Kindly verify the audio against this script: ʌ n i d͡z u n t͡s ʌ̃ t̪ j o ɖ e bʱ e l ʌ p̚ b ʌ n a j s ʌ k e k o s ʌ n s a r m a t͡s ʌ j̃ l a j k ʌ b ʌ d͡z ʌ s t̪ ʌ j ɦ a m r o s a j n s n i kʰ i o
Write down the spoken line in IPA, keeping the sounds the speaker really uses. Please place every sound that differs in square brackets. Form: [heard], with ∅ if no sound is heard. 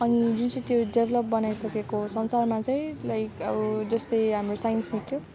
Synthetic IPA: ʌ n i d͡z u n t͡s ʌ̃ t̪ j o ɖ e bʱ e l ʌ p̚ b ʌ n a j s ʌ k e k o s ʌ n s a r m a t͡s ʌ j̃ l a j k ʌ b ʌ d͡z ʌ s t̪ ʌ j ɦ a m r o s a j n s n i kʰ [j] o